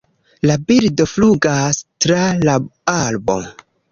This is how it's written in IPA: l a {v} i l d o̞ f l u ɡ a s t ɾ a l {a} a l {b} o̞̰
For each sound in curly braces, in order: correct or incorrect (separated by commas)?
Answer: incorrect, correct, correct